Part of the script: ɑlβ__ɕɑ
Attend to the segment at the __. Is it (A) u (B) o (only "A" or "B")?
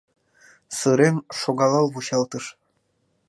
A